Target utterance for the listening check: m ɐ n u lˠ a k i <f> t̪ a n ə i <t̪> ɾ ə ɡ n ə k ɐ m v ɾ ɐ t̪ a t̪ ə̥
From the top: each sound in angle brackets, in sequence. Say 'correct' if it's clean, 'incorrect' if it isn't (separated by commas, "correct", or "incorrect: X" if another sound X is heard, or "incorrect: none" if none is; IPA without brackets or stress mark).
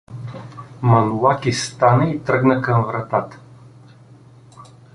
incorrect: s, correct